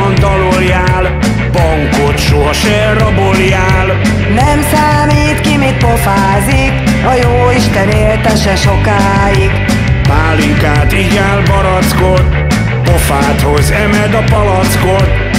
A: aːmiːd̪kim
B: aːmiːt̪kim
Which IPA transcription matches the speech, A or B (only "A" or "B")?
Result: B